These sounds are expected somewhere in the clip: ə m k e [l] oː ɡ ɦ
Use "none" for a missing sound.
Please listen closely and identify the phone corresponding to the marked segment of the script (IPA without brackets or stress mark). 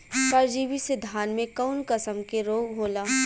ɾ